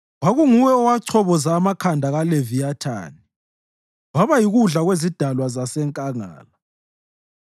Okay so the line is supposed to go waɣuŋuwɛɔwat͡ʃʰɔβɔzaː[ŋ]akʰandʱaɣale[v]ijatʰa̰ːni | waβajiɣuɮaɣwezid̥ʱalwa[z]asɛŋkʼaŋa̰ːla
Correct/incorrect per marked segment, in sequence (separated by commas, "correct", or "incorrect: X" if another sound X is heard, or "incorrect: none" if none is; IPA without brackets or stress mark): incorrect: m, correct, correct